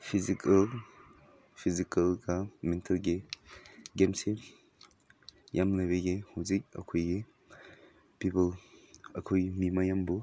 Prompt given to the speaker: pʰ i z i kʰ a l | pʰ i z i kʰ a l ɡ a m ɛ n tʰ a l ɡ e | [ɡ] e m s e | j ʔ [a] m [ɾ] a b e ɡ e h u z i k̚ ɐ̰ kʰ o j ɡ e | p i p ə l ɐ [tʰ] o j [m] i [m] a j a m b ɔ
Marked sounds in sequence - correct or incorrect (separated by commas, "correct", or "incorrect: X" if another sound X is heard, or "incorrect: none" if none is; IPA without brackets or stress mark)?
correct, correct, incorrect: l, incorrect: kʰ, correct, correct